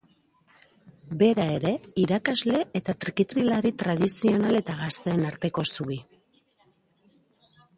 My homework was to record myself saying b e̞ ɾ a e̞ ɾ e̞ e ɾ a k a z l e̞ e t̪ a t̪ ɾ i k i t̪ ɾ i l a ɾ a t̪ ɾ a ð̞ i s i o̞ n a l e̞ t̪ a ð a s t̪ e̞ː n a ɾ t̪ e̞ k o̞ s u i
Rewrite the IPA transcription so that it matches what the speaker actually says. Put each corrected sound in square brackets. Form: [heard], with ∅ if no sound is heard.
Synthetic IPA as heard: b e̞ ɾ a e̞ ɾ e̞ [i] ɾ a k a z l e̞ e t̪ a t̪ ɾ i k i t̪ ɾ i l a ɾ [i] t̪ ɾ a ð̞ i s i o̞ n a l e̞ t̪ a [ɣ] a s t̪ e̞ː n a ɾ t̪ e̞ k o̞ s u i